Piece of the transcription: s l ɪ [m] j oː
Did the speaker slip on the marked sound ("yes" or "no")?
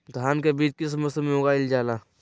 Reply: no